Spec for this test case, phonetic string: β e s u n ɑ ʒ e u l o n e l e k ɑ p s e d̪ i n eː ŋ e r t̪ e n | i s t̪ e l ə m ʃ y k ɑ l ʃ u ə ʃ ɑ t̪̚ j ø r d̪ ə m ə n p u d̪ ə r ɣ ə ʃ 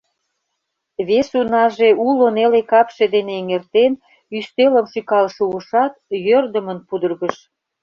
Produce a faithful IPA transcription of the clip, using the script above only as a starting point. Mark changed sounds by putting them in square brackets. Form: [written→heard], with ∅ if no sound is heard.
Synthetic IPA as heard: β e s u n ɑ ʒ e u l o n e l e k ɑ p [s→ʃ] e d̪ [i→e] n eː ŋ e r t̪ e n | [i→y] s t̪ e l ə m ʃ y k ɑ l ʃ u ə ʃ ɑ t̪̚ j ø r d̪ ə m ə n p u d̪ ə r ɣ ə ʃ